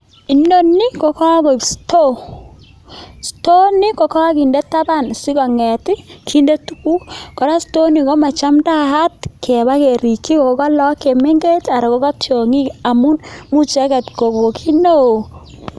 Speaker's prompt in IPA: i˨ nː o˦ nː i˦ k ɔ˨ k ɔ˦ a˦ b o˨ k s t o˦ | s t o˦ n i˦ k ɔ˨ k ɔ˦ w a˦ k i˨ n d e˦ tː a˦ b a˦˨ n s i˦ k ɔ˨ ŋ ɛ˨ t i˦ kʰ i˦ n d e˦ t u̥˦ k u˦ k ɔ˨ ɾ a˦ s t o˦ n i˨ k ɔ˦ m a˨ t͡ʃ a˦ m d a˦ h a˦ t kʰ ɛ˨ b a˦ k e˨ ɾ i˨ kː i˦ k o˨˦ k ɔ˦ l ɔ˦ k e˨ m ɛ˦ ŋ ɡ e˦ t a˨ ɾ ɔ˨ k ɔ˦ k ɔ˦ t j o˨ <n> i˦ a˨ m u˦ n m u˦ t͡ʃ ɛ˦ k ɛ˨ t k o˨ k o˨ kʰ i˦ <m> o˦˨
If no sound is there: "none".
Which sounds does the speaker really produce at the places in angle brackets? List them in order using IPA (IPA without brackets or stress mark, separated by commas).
ŋ, n